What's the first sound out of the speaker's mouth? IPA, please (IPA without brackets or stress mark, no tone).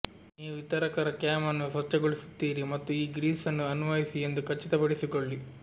n